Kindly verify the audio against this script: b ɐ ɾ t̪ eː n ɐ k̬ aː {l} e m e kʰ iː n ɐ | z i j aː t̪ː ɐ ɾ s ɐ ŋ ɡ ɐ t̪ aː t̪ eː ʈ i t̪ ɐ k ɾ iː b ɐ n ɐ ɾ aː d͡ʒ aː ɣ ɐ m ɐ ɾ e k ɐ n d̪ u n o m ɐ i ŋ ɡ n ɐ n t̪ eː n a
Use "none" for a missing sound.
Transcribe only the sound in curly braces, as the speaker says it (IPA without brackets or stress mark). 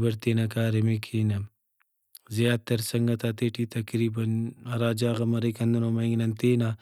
ɾ